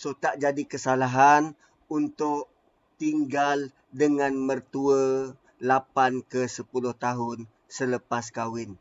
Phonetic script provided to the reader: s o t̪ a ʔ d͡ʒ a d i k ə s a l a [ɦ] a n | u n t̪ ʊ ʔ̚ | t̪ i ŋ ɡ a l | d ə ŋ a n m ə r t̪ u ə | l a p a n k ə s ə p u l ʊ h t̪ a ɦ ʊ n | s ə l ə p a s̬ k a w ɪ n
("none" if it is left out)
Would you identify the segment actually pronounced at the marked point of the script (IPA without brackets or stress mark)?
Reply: ɦ